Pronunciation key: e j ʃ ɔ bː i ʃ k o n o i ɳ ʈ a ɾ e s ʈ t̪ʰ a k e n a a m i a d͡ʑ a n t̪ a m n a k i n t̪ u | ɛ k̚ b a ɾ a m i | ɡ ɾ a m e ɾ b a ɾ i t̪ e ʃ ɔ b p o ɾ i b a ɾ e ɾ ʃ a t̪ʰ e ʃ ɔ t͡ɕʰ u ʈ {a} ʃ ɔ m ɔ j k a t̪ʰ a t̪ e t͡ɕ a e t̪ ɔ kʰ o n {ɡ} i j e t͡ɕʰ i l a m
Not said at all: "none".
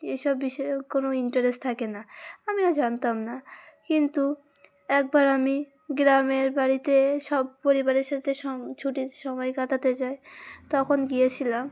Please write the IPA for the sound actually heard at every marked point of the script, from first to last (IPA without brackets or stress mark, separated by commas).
i, ɡ